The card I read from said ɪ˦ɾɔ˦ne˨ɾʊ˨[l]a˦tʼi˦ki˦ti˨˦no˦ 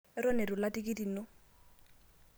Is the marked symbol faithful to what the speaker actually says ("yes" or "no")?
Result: yes